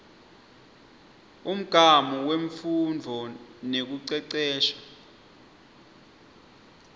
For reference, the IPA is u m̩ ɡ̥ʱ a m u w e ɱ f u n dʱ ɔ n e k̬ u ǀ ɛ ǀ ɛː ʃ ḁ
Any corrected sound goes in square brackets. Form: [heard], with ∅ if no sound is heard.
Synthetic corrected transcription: u m̩ ɡ̥ʱ a m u w e ɱ f u n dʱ ɔ n e k̬ u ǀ ɛ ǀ ɛː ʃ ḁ